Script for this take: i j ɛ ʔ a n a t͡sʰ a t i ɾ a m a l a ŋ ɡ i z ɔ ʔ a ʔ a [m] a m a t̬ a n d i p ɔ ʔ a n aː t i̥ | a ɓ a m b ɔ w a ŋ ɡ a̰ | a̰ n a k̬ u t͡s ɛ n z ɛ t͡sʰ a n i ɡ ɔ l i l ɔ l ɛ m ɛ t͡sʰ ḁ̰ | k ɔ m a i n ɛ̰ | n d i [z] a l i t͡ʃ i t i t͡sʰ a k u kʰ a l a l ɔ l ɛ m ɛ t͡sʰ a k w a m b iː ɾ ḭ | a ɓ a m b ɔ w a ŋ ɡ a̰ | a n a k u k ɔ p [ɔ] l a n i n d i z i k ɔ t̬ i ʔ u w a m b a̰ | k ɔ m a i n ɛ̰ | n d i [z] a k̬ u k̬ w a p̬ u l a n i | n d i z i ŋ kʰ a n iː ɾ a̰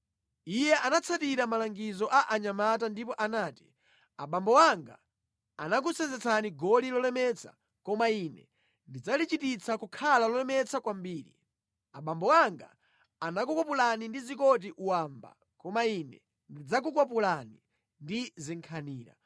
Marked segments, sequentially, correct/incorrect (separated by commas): incorrect, incorrect, incorrect, incorrect